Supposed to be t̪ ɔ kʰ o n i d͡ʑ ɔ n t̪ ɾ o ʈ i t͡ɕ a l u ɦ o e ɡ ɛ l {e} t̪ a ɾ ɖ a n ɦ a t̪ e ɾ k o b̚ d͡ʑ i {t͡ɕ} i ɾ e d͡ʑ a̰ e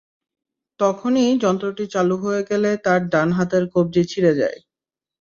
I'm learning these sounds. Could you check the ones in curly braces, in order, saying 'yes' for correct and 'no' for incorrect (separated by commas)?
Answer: yes, no